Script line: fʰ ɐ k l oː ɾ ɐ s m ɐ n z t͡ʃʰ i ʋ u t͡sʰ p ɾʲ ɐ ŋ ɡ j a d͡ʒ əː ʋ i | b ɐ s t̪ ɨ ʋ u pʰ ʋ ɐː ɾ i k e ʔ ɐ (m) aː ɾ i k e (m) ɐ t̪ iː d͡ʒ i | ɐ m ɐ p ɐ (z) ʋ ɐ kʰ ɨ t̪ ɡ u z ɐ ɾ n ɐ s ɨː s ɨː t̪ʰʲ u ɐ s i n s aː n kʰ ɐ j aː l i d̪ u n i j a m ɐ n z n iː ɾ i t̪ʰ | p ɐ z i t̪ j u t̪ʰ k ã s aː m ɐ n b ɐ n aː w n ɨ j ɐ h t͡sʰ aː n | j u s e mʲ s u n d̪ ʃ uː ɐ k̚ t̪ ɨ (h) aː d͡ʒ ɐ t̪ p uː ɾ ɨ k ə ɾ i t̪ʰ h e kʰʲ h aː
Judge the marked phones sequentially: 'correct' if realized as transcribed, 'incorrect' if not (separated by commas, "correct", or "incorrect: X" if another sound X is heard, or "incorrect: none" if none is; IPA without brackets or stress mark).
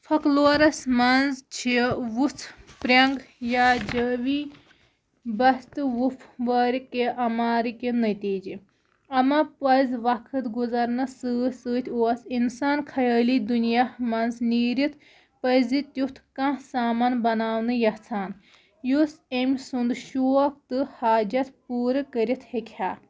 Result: correct, incorrect: n, correct, correct